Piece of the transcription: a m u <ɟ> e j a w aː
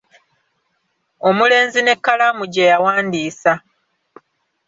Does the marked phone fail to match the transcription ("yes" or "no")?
no